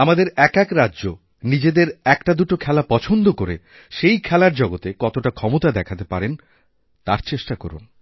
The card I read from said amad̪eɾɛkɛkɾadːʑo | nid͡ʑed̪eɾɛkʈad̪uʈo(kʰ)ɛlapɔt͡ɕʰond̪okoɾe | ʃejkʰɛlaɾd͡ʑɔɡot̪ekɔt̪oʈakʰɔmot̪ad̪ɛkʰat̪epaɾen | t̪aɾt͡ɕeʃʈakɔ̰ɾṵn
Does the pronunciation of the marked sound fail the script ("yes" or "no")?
no